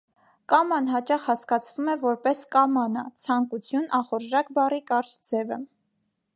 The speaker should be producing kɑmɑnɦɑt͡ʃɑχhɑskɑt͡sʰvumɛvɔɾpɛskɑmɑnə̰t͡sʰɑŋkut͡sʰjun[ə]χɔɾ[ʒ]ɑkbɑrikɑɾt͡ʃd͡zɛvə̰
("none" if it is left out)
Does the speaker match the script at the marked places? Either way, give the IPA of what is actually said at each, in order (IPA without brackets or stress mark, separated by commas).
ɑ, ʒ